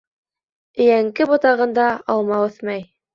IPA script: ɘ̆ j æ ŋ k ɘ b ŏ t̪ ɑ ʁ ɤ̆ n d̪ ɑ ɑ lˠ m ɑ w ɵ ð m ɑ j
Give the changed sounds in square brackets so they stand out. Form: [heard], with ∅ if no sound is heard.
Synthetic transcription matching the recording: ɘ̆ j æ ŋ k ɘ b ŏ t̪ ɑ ʁ ɤ̆ n d̪ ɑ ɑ lˠ m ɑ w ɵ [θ] m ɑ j